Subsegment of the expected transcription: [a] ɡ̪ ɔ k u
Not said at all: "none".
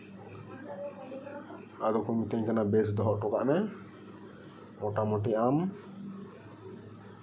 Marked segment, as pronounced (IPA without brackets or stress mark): a